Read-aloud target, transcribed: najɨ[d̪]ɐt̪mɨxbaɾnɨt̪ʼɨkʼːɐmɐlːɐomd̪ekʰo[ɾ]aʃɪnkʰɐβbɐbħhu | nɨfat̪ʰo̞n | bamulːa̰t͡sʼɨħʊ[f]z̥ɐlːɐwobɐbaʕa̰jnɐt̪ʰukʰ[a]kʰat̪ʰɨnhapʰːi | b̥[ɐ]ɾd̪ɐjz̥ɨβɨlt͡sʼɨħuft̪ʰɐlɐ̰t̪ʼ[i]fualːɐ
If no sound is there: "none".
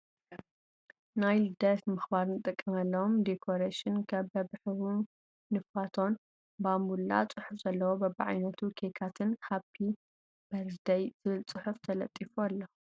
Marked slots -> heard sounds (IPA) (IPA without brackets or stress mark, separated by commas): d̪, ɾ, f, e, ɐ, i